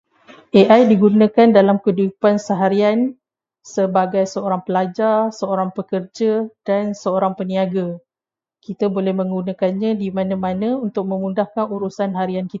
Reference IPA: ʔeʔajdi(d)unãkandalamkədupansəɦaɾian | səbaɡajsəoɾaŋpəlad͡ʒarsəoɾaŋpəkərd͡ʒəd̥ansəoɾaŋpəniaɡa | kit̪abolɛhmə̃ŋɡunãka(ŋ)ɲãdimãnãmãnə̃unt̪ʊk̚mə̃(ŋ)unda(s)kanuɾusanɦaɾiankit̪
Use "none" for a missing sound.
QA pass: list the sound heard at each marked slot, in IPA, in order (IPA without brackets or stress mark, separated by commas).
ɡ, n, m, h